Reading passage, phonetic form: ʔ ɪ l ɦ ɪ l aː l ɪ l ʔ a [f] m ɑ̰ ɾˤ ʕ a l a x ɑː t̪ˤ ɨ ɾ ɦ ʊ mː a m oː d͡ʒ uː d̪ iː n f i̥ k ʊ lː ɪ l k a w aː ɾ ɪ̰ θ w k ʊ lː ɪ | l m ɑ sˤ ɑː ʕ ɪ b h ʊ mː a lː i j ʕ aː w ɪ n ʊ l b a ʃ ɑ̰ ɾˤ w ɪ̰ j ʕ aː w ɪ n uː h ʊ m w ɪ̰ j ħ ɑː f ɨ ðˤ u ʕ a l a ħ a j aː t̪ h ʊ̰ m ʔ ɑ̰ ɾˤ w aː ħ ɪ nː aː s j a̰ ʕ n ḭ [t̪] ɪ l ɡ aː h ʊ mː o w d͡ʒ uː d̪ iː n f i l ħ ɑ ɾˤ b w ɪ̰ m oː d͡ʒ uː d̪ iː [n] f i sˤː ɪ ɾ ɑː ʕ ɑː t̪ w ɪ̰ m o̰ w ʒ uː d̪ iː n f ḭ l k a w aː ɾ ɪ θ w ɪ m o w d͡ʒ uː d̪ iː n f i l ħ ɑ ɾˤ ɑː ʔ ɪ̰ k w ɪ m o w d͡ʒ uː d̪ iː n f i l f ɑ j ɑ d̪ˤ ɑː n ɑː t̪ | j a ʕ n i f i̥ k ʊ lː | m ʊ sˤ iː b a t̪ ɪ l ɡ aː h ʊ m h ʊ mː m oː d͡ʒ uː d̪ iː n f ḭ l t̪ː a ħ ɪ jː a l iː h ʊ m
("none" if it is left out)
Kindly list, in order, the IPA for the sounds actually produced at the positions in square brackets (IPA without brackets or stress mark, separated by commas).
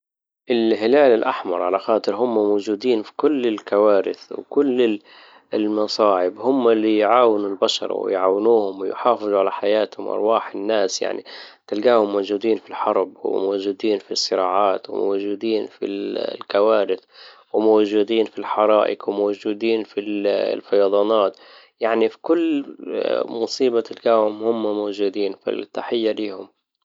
ħ, t̪, n